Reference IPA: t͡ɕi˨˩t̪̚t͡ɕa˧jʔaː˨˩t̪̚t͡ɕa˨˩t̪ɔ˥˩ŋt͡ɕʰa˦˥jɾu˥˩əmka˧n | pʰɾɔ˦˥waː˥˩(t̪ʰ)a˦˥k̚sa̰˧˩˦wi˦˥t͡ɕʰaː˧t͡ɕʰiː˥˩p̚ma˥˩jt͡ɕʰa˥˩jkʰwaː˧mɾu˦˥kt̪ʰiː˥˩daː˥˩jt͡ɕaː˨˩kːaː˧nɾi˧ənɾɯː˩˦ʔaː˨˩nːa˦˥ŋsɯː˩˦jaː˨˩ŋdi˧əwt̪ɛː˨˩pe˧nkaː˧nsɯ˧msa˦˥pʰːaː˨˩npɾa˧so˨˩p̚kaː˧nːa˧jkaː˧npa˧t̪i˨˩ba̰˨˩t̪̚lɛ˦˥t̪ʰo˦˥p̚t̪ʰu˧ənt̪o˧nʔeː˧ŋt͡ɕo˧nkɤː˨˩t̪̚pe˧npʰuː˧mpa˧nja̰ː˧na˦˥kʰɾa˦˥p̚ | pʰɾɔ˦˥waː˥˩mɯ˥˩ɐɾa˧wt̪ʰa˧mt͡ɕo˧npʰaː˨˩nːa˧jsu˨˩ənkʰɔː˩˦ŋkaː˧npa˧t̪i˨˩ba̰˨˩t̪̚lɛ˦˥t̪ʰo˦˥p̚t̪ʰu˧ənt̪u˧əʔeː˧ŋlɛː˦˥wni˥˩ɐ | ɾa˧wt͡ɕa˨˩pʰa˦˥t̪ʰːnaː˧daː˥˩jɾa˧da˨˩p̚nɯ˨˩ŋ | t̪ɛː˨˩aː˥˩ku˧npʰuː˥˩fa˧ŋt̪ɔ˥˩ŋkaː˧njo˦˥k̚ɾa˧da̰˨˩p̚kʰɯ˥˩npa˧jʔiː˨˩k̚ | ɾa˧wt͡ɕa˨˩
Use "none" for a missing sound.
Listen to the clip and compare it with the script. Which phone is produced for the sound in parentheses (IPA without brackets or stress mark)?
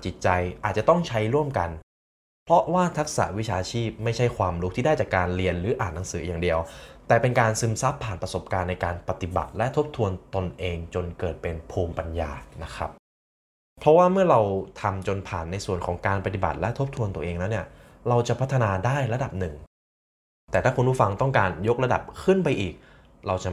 t̪ʰ